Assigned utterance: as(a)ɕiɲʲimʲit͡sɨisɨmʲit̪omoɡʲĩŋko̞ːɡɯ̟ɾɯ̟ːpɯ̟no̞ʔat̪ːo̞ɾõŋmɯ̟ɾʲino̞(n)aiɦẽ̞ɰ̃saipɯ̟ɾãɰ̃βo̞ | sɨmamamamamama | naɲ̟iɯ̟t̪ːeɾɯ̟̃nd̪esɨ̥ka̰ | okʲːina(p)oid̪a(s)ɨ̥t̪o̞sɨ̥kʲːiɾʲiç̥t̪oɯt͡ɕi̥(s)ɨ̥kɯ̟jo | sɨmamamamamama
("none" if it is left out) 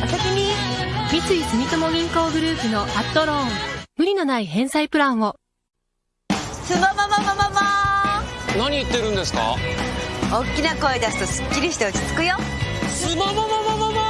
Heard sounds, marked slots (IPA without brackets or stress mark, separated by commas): a, n, k, s, t͡s